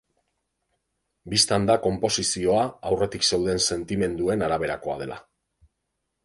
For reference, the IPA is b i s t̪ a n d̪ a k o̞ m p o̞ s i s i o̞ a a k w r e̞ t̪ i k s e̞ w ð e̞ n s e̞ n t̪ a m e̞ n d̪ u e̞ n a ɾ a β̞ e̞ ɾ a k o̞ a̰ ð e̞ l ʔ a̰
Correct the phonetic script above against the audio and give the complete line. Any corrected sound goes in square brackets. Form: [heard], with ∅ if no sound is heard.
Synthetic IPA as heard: b i s t̪ a n d̪ a k o̞ m p o̞ s i s i o̞ a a [∅] w r e̞ t̪ i k s e̞ w ð e̞ n s e̞ n t̪ [i] m e̞ n d̪ u e̞ n a ɾ a β̞ e̞ ɾ a k o̞ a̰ ð e̞ l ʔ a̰

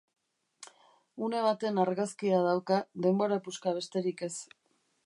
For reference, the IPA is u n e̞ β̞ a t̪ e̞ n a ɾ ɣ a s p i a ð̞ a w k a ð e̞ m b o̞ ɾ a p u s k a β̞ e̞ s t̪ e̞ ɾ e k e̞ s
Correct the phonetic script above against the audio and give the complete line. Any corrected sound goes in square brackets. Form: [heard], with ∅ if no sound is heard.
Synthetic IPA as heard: u n e̞ β̞ a t̪ e̞ n a ɾ ɣ a s [k] i a ð̞ a w k a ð e̞ m b o̞ ɾ a p u s k a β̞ e̞ s t̪ e̞ ɾ [i] k e̞ s

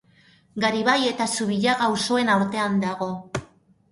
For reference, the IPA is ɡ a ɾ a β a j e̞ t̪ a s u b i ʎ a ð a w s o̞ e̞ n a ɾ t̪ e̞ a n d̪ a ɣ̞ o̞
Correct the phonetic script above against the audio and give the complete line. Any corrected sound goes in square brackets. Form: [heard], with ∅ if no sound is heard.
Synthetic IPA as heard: ɡ a ɾ [i] β a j e̞ t̪ a s u [β] i ʎ a [ɣ] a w s o̞ e̞ n a ɾ t̪ e̞ a n d̪ a ɣ̞ o̞

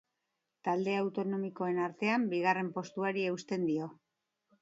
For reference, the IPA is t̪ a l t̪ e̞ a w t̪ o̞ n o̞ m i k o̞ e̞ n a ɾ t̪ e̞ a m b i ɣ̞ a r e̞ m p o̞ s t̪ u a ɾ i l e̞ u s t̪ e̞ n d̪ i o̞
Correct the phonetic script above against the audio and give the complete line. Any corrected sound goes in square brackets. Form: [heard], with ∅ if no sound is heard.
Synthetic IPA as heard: t̪ a l [d̪] e̞ a w t̪ o̞ n o̞ m i k o̞ e̞ n a ɾ t̪ e̞ a m b i ɣ̞ a r e̞ m p o̞ s t̪ u a ɾ i [∅] e̞ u s t̪ e̞ n d̪ i o̞

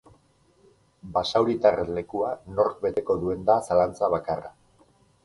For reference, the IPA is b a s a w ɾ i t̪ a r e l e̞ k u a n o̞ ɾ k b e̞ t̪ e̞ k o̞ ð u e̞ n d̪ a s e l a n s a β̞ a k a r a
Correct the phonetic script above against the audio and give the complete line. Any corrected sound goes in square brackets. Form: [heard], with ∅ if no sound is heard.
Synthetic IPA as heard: b a s a w ɾ i t̪ a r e l e̞ k u a n o̞ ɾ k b e̞ t̪ e̞ k o̞ ð u e̞ n d̪ a s [a] l a n [t͡s] a β̞ a k a r a

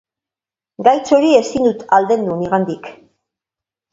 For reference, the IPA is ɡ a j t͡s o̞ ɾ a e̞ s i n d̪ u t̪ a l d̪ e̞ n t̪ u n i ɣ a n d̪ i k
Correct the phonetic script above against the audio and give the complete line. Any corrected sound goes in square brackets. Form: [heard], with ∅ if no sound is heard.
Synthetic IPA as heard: ɡ a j t͡s o̞ ɾ [i] e̞ s i n d̪ u t̪ a l d̪ e̞ n [d̪] u n i ɣ a n d̪ i k

